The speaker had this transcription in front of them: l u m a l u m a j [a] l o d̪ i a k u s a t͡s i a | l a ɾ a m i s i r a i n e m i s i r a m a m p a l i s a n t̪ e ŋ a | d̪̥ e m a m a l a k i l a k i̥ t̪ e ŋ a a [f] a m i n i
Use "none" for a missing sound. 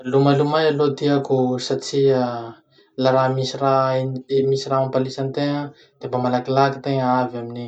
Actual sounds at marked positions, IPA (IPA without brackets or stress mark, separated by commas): a, v